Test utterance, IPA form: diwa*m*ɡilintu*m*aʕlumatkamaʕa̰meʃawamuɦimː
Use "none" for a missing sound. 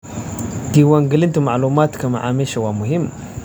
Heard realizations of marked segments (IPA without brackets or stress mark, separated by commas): ŋ, m